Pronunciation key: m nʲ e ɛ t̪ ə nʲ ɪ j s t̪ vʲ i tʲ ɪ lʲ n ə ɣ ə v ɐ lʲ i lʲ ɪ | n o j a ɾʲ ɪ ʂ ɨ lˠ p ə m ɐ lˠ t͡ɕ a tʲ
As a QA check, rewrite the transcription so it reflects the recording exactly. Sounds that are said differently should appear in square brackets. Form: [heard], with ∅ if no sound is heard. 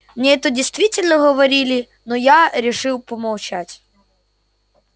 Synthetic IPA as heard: m nʲ e ɛ t̪ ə [dʲ] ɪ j s t̪ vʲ i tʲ ɪ lʲ n ə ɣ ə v ɐ [ɾʲ] i lʲ ɪ | n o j a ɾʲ ɪ ʂ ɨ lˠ p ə m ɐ lˠ t͡ɕ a tʲ